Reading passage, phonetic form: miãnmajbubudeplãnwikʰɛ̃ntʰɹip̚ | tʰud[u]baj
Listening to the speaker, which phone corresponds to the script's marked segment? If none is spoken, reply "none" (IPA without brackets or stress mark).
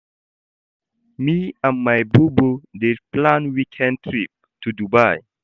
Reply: u